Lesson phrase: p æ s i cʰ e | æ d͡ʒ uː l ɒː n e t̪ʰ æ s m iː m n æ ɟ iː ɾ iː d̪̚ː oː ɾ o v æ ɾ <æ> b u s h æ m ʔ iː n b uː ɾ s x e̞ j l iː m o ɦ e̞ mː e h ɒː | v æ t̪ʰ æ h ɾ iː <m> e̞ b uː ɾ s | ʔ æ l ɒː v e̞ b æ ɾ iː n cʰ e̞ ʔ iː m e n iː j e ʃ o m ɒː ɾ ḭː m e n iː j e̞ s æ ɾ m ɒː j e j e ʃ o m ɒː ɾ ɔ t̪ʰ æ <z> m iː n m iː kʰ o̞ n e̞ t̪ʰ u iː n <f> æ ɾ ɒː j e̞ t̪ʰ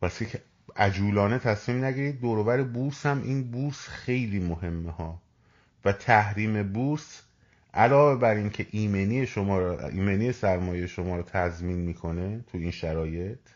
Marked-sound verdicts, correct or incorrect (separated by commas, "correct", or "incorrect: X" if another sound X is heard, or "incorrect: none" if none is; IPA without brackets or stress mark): incorrect: e, correct, correct, incorrect: ʃ